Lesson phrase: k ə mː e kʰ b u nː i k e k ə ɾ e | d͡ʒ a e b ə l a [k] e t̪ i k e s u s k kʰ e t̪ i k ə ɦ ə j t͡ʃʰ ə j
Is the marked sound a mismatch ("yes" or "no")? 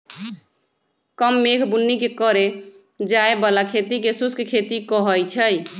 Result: yes